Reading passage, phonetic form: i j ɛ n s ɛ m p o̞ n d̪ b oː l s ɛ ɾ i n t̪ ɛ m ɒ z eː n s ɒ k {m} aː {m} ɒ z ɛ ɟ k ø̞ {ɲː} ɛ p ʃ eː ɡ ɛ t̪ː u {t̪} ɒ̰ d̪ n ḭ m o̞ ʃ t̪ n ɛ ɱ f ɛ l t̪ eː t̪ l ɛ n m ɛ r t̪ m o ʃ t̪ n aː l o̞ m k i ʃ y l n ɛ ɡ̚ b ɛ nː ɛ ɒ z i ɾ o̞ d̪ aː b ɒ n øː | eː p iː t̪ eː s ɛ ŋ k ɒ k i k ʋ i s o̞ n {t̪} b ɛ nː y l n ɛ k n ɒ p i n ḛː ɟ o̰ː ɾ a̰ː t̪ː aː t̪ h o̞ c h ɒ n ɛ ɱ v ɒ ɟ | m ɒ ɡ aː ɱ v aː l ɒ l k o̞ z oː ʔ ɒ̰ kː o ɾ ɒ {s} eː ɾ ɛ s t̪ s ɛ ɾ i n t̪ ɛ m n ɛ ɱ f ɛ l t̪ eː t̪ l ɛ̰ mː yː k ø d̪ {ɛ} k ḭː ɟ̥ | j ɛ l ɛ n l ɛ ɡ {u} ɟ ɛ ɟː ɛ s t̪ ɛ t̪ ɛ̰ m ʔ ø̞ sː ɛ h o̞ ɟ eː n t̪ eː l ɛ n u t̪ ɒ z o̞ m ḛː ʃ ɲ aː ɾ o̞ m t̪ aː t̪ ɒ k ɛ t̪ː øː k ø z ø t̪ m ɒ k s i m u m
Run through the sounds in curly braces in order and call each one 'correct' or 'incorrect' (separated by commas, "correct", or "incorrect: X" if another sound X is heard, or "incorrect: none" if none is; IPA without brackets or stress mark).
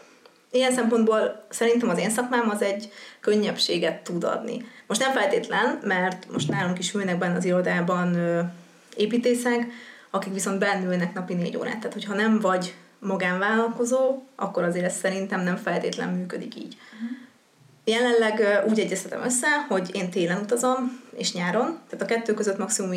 correct, correct, correct, incorrect: d̪, incorrect: d̪, incorrect: z, incorrect: i, incorrect: uː